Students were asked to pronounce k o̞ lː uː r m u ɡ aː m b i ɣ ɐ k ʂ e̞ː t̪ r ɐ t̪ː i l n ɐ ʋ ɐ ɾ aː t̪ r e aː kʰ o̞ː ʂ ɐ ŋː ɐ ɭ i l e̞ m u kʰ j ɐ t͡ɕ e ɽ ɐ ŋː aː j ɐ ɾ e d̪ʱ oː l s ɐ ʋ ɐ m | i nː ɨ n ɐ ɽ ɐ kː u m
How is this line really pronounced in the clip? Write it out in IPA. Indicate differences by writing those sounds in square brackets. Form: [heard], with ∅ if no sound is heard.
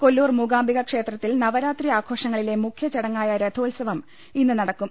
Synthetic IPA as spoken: k o̞ lː uː r m u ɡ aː m b i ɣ ɐ k ʂ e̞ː t̪ r ɐ t̪ː i l n ɐ ʋ ɐ ɾ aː t̪ r [i] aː kʰ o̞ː ʂ ɐ ŋː ɐ ɭ i l e̞ m u kʰ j ɐ t͡ɕ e ɽ ɐ ŋː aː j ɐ ɾ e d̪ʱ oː l s ɐ ʋ ɐ m | i nː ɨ n ɐ ɽ ɐ kː u m